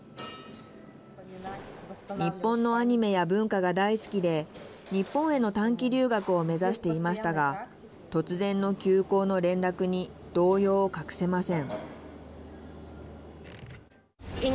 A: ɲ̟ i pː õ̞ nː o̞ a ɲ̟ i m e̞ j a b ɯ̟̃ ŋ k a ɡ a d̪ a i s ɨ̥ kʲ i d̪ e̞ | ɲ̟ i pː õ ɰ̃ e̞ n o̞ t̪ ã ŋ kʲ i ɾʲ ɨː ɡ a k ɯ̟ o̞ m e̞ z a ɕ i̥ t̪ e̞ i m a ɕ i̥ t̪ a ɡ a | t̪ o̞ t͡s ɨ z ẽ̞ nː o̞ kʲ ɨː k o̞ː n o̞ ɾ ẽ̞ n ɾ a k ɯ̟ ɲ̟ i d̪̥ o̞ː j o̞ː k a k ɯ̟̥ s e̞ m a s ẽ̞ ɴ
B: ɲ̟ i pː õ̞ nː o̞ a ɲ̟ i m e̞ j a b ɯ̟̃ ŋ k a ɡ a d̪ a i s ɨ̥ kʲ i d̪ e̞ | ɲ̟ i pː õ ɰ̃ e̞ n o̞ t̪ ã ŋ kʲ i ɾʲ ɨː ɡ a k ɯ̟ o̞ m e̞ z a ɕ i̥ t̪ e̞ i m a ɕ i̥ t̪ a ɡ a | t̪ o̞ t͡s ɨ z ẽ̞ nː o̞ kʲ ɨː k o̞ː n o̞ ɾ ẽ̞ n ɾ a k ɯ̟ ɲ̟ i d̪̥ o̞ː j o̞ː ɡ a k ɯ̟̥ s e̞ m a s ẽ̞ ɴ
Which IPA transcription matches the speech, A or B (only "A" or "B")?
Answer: A